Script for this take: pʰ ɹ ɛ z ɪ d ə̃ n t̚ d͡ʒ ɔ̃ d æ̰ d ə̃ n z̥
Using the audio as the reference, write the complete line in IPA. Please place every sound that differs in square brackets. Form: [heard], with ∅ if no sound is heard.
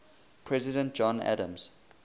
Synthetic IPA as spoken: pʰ ɹ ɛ z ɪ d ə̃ n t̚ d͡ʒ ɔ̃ [n] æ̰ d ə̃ [m] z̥